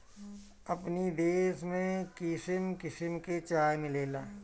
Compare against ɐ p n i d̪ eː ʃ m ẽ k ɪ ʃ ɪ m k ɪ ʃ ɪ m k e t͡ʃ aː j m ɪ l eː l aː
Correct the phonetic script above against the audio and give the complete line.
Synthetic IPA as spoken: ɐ p n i d̪ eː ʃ m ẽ k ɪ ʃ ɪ m k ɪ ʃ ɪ m k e t͡ʃ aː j m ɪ l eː l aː